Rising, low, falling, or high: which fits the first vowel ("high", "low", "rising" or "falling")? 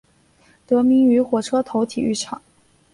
rising